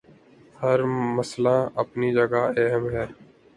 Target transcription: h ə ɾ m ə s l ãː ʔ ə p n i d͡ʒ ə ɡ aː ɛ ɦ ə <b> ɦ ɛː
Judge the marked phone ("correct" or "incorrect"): incorrect